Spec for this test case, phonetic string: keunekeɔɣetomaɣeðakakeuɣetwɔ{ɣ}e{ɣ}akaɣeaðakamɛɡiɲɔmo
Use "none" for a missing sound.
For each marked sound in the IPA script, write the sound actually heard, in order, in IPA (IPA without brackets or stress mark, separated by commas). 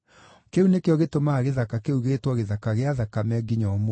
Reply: ɣ, ð